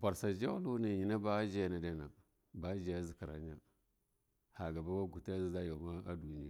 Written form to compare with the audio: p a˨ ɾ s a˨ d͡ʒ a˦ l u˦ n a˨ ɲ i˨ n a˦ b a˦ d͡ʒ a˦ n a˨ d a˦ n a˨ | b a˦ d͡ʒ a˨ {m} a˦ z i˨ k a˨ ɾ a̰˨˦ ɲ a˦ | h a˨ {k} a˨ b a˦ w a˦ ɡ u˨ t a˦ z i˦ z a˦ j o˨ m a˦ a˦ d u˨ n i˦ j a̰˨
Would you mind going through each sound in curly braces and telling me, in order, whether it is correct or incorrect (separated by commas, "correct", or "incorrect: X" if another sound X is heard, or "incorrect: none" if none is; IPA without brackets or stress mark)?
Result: incorrect: none, incorrect: ɡ